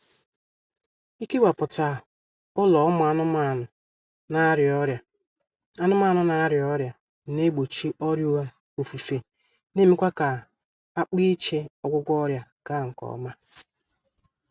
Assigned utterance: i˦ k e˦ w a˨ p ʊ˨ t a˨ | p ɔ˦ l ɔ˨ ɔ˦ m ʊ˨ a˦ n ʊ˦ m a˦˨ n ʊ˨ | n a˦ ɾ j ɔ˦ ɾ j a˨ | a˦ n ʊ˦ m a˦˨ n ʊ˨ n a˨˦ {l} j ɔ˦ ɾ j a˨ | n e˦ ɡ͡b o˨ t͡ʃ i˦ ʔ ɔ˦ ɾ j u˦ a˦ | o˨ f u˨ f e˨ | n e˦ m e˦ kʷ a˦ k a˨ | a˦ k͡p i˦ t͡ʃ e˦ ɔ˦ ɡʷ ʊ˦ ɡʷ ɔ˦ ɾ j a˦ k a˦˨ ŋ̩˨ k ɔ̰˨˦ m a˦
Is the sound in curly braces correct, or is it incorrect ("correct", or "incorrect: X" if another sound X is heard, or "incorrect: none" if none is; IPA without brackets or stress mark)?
incorrect: ɾ